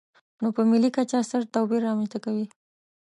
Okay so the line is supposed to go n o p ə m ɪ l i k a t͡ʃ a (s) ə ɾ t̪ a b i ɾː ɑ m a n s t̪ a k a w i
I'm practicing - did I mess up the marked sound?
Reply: no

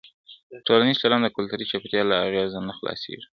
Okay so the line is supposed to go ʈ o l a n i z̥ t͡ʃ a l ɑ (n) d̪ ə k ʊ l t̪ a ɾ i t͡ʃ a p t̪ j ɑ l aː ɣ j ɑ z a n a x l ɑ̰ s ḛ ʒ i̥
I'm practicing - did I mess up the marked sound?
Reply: no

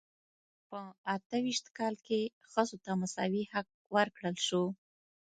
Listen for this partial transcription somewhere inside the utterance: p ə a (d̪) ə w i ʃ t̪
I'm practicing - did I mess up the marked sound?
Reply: yes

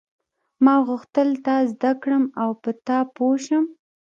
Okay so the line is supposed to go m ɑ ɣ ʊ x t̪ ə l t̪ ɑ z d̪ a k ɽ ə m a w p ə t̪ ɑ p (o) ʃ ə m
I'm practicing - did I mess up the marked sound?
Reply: no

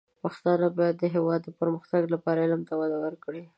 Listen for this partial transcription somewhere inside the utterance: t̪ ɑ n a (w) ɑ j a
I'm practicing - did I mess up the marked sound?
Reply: yes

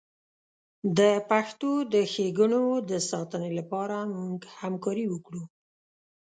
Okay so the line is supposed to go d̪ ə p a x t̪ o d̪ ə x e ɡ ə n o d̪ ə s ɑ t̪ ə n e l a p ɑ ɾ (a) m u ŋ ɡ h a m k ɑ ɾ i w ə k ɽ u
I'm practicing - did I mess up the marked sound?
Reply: no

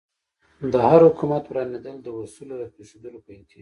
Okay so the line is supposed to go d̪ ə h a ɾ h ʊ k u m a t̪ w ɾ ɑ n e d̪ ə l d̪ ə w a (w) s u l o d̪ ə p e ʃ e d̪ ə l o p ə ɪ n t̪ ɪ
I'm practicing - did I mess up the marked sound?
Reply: yes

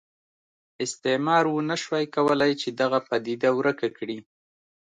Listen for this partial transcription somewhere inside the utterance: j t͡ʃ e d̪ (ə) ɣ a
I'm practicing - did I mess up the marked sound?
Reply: yes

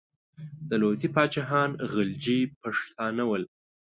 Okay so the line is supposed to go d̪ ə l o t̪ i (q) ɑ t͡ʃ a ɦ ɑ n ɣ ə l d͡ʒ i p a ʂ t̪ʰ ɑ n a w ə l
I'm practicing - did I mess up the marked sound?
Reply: yes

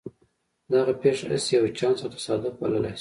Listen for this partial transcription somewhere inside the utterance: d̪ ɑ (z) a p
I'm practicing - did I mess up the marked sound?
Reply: yes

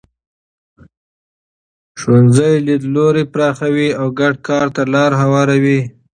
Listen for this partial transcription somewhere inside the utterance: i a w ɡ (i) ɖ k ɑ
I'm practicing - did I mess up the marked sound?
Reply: yes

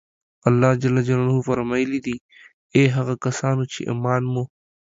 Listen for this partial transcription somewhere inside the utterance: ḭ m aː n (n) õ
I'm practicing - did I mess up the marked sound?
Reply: yes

